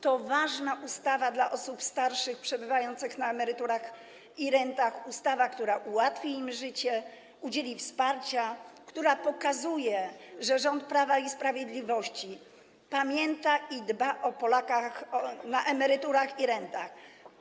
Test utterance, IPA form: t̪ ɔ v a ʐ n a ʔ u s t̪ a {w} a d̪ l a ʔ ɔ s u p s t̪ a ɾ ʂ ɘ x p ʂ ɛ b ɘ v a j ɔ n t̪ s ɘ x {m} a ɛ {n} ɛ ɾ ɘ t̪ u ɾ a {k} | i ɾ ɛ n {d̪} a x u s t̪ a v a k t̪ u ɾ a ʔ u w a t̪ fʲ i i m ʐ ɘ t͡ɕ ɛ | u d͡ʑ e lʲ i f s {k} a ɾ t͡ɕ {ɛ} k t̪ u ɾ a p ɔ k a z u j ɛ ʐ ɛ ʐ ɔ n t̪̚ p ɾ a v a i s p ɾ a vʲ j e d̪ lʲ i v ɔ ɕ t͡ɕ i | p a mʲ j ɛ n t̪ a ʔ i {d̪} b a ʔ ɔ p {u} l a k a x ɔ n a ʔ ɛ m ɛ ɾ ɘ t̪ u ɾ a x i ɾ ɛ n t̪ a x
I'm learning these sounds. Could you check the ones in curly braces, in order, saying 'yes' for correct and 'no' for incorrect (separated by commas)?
no, no, no, no, no, no, no, yes, no